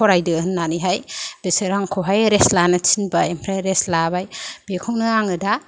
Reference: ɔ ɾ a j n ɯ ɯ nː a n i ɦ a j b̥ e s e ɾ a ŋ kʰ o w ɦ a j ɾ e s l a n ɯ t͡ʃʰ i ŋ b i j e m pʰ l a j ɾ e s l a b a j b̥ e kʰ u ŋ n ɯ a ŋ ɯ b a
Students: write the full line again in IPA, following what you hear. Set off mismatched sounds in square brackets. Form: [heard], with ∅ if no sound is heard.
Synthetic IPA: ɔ ɾ a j [d] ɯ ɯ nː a n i ɦ a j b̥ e s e ɾ a ŋ kʰ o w ɦ a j ɾ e s l a n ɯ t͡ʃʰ i [n] b [a] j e m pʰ [ɾ] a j ɾ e s l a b a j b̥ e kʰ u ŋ n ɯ a ŋ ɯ [d] a

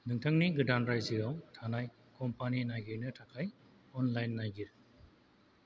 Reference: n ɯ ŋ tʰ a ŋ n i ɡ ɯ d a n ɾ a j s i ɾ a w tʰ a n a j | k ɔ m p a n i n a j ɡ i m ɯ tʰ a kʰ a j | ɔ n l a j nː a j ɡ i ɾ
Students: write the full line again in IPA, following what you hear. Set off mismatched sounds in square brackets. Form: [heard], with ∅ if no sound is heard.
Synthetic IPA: n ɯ ŋ tʰ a ŋ n i ɡ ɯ d a n ɾ a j [z] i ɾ a w tʰ a n a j | k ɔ m p a n i n a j ɡ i [n] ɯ tʰ a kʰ a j | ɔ n l a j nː a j ɡ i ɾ

